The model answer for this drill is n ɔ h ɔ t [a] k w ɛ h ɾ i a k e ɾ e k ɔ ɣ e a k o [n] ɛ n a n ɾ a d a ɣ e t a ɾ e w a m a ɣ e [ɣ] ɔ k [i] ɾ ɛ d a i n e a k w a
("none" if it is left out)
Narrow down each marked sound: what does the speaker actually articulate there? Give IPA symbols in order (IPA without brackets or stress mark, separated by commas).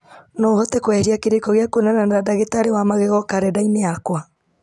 ɛ, n, ɣ, a